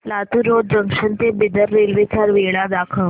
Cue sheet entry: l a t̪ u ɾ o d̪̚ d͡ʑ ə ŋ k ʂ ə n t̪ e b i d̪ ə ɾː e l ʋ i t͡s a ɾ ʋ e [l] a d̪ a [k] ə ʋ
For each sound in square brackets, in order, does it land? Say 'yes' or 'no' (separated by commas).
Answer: no, no